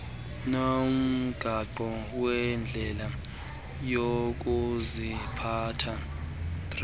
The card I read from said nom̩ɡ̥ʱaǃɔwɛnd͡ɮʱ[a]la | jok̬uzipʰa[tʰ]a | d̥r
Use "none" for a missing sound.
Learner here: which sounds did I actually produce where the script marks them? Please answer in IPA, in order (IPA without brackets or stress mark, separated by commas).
ɛ, tʰ